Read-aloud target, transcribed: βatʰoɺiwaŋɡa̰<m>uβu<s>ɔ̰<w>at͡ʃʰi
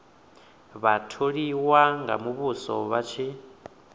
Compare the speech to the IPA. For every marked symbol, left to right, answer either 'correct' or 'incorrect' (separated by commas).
correct, correct, incorrect